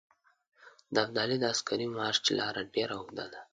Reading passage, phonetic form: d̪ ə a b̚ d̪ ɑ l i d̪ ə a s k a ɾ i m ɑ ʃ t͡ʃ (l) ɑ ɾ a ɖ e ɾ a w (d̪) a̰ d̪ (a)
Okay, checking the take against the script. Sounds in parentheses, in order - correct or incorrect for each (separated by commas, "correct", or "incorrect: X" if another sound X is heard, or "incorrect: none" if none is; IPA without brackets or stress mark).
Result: correct, correct, correct